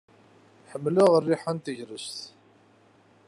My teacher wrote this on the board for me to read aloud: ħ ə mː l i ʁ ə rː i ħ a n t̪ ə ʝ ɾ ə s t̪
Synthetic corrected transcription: ħ ə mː l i ʁ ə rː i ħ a n t̪ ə ʝ ɾ ə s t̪